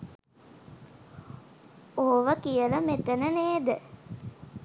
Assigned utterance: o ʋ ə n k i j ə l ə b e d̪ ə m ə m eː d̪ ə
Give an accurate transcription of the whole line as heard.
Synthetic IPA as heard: o ʋ ə k i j ə l ə m e t̪ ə n ə n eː d̪ ə